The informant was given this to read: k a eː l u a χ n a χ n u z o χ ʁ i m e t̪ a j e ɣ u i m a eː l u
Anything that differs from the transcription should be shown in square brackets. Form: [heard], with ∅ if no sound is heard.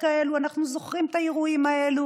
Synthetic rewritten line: k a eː l u a [∅] n a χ n u z o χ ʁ i m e t̪ a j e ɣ u i m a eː l u